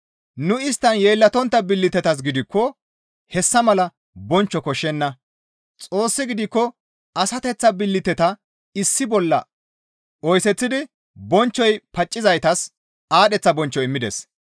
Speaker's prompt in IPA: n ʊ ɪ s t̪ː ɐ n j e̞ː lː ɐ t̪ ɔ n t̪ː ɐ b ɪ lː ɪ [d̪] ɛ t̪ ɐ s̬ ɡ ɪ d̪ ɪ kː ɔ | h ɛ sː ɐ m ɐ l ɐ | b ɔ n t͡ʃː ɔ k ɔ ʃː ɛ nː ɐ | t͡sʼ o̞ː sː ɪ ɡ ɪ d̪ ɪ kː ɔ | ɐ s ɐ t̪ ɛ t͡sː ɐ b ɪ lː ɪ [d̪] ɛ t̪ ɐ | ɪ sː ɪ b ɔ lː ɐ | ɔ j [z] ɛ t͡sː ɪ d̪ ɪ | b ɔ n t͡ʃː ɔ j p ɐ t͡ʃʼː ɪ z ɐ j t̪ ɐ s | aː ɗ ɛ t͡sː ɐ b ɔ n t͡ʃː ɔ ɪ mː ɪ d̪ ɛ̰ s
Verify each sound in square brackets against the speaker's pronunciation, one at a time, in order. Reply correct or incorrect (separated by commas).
incorrect, incorrect, incorrect